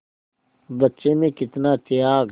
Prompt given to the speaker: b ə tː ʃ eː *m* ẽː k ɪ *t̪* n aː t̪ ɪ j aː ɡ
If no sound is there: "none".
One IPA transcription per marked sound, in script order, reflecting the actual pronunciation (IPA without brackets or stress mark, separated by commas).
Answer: m, t̪